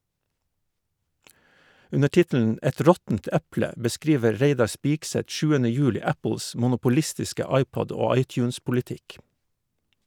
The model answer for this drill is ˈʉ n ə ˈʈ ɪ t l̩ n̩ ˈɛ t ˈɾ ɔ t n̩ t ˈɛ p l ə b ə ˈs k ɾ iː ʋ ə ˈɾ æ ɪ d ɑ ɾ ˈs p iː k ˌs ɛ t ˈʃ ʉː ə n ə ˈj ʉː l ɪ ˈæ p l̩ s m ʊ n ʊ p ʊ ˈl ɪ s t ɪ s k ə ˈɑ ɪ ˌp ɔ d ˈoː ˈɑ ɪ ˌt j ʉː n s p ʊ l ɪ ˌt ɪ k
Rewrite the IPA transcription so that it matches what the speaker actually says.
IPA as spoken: ˈʉ n ə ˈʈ ɪ t l̩ n̩ ˈɛ t ˈɾ ɔ t n̩ t ˈæ p l ə b ə ˈs k ɾ iː ʋ ə ˈɾ e ɪ d ɑ ɾ ˈs p iː k ˌs ɛ t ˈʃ ʉː ə n ə ˈj ʉː l ɪ ˈæ p l̩ s m ʊ n ʊ p ʊ ˈl ɪ s t ɪ s k ə ˈɑ ɪ ˌp ɔ d ˈoː ˈɑ ɪ ˌt j ʉː n s p ʊ l ɪ ˌt ɪ k